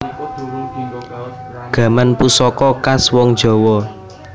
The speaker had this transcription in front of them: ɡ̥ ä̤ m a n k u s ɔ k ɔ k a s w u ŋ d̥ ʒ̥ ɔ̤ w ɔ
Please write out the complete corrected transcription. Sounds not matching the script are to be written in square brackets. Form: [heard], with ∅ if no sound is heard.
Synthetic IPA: ɡ̥ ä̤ m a n [p] u s ɔ k ɔ k a s w [ɔ] ŋ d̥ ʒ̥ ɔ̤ w ɔ

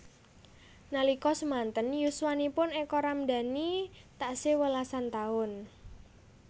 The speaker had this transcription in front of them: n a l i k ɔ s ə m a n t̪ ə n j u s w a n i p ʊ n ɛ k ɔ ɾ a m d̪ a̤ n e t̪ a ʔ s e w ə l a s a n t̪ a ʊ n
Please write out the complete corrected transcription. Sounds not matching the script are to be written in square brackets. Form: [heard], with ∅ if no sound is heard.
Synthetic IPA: n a l i k ɔ s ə m a n t̪ ə n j u s w a n i p ʊ n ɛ k ɔ ɾ a m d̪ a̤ n [i] t̪ a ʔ s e w ə l a s a n t̪ a ʊ n

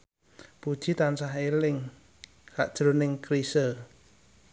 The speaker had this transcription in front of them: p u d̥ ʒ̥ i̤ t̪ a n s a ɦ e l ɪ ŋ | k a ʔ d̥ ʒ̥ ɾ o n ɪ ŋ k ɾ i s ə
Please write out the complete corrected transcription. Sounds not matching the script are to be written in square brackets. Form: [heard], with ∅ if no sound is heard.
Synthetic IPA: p u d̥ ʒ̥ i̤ t̪ a n s a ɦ e l ɪ ŋ | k a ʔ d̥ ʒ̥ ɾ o n ɪ ŋ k ɾ i s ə

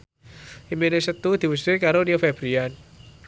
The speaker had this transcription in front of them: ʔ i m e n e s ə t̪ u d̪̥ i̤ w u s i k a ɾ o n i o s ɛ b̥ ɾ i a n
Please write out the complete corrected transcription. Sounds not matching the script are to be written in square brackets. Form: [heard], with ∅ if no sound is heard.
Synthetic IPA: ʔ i m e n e s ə t̪ u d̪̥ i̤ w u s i k a ɾ o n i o [f] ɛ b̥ ɾ i a n

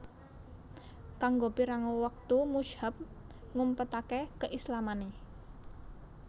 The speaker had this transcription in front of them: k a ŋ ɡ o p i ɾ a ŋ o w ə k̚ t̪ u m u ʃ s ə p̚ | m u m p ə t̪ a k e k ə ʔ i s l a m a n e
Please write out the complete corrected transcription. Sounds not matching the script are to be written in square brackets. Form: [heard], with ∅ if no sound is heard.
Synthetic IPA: k a ŋ ɡ o p i ɾ a ŋ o w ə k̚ t̪ u m u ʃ [h] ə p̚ | [ŋ] u m p ə t̪ a k e k ə ʔ i s l a m a n e

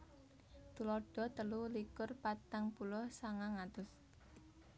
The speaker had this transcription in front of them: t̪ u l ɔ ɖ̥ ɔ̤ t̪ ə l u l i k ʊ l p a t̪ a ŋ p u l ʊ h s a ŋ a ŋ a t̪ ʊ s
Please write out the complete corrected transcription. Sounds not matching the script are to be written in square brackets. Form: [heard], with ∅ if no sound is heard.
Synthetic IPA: t̪ u l ɔ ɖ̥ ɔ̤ t̪ ə l u l i k ʊ [r] p a t̪ a ŋ p u l ʊ h s a ŋ a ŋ a t̪ ʊ s

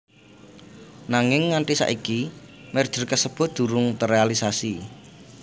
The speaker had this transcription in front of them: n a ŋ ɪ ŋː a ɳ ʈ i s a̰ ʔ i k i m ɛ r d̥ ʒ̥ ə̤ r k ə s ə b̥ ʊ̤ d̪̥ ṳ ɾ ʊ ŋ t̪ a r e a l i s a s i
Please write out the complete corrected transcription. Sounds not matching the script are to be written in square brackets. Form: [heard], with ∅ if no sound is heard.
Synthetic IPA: n a ŋ ɪ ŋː a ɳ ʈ i s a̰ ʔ i k i m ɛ r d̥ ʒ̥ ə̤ r k ə s ə b̥ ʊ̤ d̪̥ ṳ ɾ ʊ ŋ t̪ [ə] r e a l i s a s i

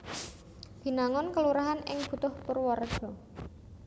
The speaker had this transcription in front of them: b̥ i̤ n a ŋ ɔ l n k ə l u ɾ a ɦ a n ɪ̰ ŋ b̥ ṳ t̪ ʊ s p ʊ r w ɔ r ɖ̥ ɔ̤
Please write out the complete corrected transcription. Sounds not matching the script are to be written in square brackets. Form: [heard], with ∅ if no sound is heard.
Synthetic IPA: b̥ i̤ n a ŋ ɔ [∅] n k ə l u ɾ a ɦ a n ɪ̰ ŋ b̥ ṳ t̪ ʊ [h] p ʊ r w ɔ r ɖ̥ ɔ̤

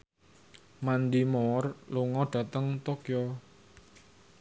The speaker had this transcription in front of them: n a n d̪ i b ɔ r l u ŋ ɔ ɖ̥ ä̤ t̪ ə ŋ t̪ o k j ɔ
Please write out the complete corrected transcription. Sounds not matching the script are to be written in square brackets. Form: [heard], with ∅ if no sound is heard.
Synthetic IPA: [m] a n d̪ i [m] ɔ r l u ŋ ɔ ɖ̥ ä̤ t̪ ə ŋ t̪ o k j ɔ

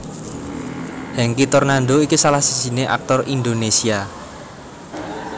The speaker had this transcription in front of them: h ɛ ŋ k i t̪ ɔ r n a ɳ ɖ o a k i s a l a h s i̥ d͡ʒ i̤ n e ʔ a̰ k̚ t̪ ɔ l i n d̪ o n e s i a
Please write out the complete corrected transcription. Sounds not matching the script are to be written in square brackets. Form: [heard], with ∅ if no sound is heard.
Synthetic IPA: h ɛ ŋ k i t̪ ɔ r n a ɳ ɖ o [i] k i s a l a h s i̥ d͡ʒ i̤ n e ʔ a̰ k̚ t̪ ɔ [r] i n d̪ o n e s i a

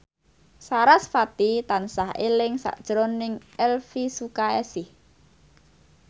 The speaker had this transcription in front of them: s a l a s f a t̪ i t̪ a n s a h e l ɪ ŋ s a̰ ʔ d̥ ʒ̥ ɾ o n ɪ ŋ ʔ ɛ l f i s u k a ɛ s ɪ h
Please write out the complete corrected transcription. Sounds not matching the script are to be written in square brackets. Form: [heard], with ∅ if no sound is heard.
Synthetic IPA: s a [ɾ] a s f a t̪ i t̪ a n s a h e l ɪ ŋ s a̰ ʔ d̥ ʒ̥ ɾ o n ɪ ŋ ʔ ɛ l f i s u k a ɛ s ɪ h

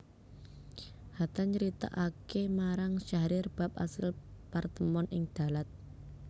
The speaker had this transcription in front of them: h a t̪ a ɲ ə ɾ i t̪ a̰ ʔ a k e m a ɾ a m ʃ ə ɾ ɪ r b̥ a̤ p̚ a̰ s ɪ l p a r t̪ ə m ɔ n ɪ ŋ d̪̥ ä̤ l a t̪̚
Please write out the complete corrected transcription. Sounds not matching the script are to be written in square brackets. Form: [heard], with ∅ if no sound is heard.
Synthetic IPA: h a t̪ a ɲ ə ɾ i t̪ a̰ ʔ a k e m a ɾ a [ŋ] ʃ [a] ɾ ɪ r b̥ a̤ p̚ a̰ s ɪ l p a r t̪ ə m ɔ n ɪ ŋ d̪̥ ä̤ l a t̪̚

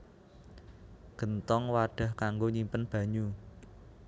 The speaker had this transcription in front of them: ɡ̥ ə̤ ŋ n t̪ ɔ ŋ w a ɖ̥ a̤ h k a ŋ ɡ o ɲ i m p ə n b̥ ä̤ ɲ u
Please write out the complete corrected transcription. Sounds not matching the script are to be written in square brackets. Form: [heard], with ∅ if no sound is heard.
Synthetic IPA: ɡ̥ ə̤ [∅] n t̪ ɔ ŋ w a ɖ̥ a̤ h k a ŋ ɡ o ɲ i m p ə n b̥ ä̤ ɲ u

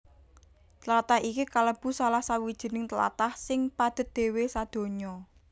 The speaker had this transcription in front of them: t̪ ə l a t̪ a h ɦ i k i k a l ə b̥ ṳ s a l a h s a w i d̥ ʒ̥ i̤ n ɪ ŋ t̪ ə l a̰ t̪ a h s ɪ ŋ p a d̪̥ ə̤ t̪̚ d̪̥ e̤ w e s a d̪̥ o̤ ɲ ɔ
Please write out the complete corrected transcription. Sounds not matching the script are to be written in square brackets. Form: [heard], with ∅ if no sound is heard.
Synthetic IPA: t̪ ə l a t̪ a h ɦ i k i k a l ə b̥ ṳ s a l a h s a w i d̥ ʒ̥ i̤ n ɪ ŋ t̪ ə l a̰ t̪ a h s ɪ ŋ p a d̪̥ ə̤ t̪̚ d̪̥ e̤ w e s a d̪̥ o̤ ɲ ɔ

